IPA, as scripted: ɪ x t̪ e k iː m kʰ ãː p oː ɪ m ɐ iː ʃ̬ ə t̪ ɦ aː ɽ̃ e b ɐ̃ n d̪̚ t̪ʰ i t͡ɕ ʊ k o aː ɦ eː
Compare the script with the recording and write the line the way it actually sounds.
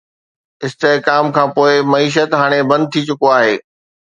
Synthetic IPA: ɪ s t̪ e k aː m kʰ ãː p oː ɪ m ɐ iː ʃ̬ ə t̪ ɦ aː ɽ̃ e b ɐ̃ n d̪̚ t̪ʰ i t͡ɕ ʊ k o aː ɦ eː